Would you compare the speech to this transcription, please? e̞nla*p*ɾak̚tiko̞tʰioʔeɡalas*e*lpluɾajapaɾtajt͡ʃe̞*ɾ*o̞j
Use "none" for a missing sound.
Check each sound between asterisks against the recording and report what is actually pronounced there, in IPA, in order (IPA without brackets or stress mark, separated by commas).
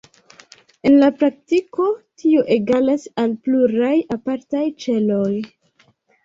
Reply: p, a, l